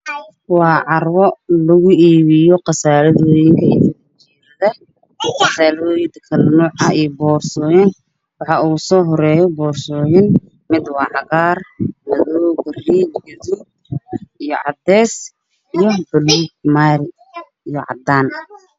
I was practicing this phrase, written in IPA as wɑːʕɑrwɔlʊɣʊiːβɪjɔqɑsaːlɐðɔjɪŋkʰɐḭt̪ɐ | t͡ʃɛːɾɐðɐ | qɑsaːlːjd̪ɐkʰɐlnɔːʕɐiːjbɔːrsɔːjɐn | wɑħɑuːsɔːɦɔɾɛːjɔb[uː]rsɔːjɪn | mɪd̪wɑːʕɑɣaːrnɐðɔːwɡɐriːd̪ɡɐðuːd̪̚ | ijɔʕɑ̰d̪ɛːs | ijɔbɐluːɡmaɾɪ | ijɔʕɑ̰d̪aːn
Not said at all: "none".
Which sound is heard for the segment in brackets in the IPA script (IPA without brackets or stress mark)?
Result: ɔː